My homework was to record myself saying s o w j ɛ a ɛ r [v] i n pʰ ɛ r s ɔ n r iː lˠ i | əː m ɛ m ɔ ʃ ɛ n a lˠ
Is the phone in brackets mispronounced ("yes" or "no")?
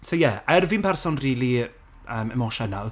no